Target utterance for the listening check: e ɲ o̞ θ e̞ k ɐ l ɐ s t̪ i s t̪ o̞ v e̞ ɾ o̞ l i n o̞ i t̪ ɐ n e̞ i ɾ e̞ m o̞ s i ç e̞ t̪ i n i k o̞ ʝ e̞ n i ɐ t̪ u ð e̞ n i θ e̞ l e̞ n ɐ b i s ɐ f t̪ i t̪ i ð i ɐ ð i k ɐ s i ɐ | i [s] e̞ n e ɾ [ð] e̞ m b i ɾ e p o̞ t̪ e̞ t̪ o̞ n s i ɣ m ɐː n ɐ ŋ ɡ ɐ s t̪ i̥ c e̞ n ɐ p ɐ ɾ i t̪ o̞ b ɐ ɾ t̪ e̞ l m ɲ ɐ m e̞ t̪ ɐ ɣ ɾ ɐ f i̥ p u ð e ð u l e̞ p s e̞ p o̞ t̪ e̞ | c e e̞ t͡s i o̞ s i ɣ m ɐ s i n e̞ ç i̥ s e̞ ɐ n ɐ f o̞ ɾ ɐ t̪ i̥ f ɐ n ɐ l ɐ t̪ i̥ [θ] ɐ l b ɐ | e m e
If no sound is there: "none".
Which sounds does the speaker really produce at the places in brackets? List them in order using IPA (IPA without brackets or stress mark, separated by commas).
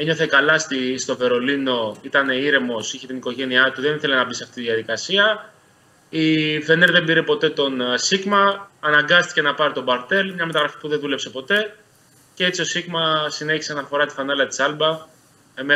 f, ð, s